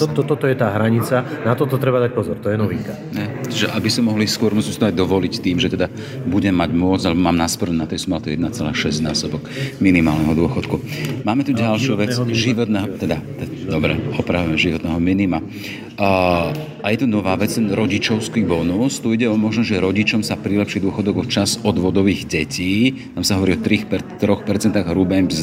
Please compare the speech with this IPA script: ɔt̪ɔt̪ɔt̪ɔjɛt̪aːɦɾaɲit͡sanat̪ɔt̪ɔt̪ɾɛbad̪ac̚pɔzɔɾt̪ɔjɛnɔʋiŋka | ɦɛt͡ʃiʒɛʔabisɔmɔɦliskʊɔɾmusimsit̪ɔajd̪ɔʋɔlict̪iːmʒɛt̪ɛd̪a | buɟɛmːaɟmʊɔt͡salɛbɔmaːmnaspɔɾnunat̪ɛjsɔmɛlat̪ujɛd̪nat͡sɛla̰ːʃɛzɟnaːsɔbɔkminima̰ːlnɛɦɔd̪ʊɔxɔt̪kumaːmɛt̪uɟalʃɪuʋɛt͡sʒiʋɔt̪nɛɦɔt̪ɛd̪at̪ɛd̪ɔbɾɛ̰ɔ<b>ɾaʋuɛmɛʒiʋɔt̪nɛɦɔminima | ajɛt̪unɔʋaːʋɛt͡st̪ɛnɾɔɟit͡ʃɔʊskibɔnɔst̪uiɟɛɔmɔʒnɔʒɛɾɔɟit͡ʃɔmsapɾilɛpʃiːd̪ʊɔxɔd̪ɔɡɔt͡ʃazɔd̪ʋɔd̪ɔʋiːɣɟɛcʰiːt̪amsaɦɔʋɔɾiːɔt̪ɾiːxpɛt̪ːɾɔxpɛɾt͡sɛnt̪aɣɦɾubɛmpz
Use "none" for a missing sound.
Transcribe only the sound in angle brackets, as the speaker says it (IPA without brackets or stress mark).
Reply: p